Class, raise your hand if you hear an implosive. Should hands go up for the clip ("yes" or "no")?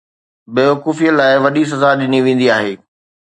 yes